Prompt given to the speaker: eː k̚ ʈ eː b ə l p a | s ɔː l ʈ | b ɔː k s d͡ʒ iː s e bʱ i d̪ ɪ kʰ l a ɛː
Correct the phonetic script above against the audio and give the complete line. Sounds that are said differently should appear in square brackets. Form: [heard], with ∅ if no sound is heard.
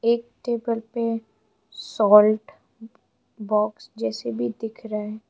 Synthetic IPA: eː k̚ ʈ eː b ə l p [e] | s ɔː l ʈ | b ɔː k s d͡ʒ [ɛː] s e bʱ i d̪ ɪ kʰ [ɾ] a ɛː